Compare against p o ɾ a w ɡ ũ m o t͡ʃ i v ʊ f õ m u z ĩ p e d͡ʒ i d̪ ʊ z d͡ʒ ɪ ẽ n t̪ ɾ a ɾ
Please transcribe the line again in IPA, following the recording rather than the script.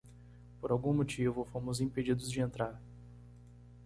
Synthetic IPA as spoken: p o ɾ a w ɡ ũ m o t͡ʃ i v ʊ f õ m ʊ z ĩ p e d͡ʒ i d̪ ʊ z d͡ʒ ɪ ẽ n t̪ ɾ a ɾ